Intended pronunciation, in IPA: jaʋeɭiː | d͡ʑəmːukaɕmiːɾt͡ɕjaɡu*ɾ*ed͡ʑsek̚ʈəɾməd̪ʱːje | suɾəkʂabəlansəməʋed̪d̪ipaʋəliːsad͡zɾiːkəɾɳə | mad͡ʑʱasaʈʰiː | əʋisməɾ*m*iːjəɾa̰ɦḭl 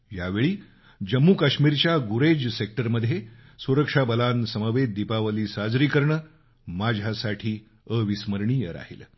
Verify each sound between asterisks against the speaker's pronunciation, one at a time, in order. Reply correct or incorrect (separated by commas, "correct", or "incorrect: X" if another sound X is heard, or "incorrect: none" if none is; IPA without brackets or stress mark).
correct, incorrect: ɳ